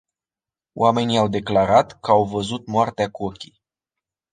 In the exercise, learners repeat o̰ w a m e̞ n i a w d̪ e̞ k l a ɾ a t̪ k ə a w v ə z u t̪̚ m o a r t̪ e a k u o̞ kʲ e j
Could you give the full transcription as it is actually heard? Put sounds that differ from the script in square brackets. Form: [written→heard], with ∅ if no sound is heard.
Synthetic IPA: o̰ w a m e̞ n i a w d̪ e̞ k l a ɾ a t̪ k ə a w v ə z u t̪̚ m o a r t̪ e a k u o̞ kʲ [e→i] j